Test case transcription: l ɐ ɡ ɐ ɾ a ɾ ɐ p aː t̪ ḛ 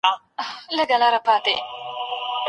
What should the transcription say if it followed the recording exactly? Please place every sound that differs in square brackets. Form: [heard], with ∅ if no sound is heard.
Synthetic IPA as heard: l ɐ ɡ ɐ [l] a ɾ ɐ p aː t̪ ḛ